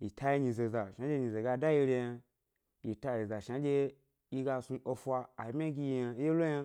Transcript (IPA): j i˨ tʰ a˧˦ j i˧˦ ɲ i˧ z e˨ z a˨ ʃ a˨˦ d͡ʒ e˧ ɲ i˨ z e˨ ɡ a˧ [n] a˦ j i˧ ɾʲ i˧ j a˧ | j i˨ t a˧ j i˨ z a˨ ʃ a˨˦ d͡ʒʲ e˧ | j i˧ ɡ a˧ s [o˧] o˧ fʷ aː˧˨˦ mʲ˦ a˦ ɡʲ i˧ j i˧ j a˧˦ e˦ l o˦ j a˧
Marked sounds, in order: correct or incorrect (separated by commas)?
incorrect, incorrect